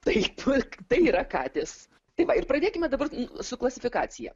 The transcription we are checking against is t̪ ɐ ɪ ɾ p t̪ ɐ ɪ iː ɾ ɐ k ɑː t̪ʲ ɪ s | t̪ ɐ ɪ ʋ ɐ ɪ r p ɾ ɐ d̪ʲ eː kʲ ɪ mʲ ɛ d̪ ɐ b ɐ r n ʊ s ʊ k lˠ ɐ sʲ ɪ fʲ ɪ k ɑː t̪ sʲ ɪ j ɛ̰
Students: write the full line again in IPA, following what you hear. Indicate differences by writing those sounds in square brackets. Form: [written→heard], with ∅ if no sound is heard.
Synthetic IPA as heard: t̪ ɐ ɪ [ɾ→∅] p t̪ ɐ ɪ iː ɾ ɐ k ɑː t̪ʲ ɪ s | t̪ ɐ ɪ ʋ ɐ ɪ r p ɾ ɐ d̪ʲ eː kʲ ɪ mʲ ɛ d̪ ɐ b ɐ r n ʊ s ʊ k lˠ ɐ sʲ ɪ fʲ ɪ k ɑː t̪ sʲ ɪ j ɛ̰